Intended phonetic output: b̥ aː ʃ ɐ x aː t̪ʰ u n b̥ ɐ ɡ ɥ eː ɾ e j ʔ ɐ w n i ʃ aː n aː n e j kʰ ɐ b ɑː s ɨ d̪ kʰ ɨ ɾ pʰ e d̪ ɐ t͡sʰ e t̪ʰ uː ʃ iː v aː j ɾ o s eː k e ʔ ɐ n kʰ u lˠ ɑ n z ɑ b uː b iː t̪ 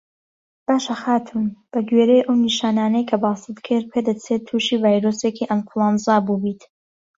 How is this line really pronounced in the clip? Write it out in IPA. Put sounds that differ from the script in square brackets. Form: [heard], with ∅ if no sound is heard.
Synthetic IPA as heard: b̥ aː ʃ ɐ x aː t̪ʰ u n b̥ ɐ ɡ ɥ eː ɾ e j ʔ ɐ w n i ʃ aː n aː n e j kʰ ɐ b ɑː s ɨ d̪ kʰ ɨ ɾ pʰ e d̪ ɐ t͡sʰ e t̪ʰ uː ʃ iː v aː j ɾ o s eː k [i] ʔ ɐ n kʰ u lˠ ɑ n z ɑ b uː b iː t̪